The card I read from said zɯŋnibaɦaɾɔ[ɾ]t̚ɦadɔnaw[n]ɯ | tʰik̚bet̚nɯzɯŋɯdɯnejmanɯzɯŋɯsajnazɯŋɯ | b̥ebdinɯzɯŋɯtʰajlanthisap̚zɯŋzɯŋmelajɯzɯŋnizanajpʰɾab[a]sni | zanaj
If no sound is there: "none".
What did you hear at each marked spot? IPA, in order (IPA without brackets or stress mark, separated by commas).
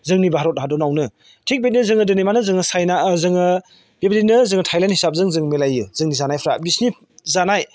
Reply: none, n, i